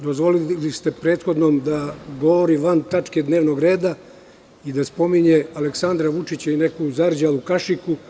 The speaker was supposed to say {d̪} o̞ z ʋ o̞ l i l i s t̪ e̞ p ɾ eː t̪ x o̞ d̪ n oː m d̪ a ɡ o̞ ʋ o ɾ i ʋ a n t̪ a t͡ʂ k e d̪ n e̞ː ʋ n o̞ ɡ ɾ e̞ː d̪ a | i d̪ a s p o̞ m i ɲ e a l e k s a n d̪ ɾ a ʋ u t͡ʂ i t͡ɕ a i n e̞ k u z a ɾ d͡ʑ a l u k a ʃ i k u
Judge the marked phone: correct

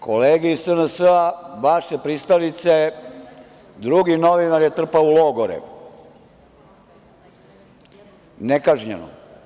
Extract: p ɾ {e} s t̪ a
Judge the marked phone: incorrect: i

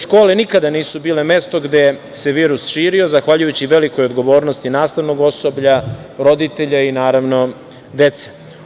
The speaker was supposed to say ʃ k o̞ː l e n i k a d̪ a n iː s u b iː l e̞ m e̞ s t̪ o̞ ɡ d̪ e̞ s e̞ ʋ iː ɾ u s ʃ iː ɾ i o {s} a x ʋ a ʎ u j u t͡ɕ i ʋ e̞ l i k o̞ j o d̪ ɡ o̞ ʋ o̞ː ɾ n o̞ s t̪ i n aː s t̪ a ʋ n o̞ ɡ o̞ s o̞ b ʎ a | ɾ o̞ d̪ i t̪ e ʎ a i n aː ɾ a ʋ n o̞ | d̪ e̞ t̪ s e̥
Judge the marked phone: incorrect: z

